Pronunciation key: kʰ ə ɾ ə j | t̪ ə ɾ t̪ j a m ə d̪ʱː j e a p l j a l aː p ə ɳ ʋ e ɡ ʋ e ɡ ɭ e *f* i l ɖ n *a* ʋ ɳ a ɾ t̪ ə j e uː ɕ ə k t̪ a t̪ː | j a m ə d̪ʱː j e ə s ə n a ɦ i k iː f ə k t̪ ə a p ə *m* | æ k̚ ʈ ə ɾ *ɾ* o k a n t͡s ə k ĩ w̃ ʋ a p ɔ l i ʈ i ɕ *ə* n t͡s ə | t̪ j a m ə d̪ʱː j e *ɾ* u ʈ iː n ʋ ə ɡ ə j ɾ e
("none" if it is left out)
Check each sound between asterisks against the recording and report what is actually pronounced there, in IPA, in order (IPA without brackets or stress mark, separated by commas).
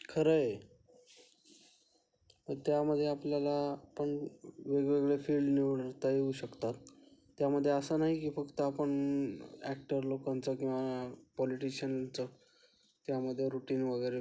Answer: f, i, ɳ, l, ə, ɾ